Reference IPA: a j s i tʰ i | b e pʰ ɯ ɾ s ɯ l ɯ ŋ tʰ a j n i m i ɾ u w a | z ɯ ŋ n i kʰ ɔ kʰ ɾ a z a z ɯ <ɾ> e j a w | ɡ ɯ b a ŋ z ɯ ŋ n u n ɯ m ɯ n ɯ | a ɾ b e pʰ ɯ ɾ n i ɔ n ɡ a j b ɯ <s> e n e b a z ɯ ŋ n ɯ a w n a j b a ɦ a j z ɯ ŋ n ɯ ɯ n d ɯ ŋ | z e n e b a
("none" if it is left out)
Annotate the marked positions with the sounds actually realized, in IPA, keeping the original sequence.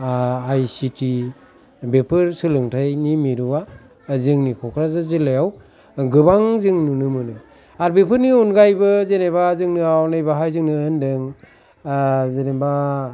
l, z

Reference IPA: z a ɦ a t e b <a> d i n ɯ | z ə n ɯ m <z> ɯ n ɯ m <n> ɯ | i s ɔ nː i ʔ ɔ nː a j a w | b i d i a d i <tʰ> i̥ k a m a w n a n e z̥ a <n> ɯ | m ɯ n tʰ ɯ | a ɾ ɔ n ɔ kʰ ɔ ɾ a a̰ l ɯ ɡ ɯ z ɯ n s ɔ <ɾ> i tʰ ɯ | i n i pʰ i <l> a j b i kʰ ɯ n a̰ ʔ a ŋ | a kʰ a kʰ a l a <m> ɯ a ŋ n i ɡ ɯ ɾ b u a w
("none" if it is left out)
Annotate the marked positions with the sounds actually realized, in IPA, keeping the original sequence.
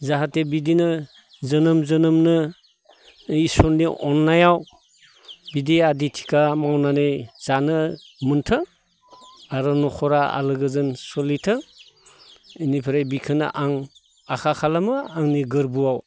i, z, n, tʰ, n, l, ɾ, m

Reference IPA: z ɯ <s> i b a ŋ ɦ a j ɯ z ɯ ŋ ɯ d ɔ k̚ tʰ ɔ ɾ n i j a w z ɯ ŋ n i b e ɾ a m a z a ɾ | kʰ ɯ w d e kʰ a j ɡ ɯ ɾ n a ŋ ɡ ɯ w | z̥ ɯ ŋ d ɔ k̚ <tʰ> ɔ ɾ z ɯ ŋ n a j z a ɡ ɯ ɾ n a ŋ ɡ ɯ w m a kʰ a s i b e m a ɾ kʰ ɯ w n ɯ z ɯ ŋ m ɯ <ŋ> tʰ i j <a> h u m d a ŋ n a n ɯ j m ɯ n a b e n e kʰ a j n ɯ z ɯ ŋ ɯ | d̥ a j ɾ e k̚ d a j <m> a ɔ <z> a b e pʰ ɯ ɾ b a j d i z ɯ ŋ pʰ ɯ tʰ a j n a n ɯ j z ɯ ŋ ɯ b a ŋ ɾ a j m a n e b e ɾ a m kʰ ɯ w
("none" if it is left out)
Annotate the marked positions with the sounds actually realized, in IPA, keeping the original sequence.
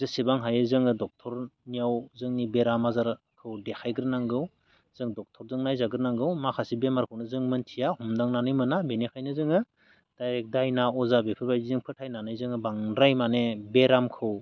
s, tʰ, n, a, n, z

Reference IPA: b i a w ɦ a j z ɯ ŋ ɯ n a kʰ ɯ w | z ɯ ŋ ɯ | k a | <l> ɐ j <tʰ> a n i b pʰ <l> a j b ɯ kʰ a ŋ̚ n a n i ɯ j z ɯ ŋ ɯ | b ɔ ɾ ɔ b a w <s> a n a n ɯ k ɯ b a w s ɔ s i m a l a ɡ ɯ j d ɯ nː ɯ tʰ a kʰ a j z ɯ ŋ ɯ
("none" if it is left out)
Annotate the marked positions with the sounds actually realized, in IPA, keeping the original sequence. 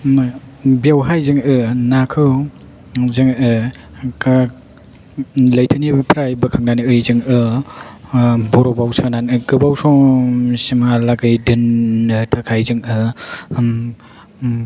l, tʰ, ɾ, s

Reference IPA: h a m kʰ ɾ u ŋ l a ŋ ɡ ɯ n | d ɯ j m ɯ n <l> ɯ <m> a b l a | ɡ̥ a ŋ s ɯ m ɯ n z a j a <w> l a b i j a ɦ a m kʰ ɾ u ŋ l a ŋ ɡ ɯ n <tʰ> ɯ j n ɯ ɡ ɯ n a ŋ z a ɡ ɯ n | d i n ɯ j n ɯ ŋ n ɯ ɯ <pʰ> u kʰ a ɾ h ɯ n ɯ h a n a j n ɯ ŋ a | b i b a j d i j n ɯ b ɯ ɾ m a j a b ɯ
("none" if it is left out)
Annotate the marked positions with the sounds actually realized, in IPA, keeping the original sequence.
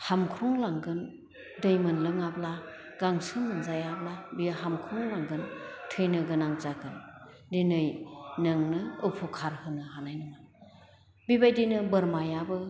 l, ŋ, b, tʰ, pʰ

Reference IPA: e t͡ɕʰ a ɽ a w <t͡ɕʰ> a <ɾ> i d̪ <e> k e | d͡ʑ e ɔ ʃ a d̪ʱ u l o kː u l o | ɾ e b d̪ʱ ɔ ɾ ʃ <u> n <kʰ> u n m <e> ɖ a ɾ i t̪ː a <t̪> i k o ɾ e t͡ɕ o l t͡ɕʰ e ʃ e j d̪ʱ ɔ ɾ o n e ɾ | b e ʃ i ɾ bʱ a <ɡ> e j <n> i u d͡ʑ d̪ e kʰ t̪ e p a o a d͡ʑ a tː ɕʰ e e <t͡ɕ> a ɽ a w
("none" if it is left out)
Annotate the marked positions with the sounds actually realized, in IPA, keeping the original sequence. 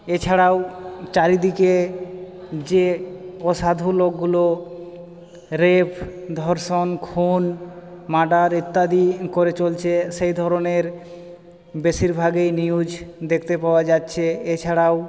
t͡ɕ, ɾ, i, o, kʰ, a, d̪, ɡ, n, t͡ɕʰ

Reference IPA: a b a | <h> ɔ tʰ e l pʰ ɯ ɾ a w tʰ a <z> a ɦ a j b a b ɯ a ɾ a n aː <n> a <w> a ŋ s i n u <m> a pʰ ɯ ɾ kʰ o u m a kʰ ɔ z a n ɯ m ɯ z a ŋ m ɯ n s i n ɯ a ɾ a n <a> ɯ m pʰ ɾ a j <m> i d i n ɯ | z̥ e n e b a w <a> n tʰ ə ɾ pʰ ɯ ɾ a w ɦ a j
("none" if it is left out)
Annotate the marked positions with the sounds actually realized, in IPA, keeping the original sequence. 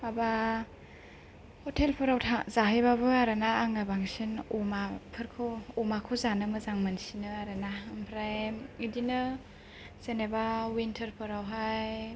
h, z, ŋ, b, m, a, m, i

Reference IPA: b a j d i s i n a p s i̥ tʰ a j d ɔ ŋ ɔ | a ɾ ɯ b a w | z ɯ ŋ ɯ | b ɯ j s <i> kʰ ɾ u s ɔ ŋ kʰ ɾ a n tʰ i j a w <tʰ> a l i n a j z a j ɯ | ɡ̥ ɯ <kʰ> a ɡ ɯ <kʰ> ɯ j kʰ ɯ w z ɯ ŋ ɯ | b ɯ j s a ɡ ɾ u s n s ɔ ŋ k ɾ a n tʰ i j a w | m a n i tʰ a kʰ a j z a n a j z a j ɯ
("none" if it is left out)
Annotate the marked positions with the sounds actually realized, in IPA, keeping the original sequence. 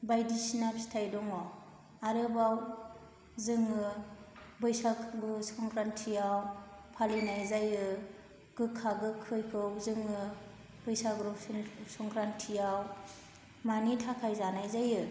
a, pʰ, kʰ, kʰ

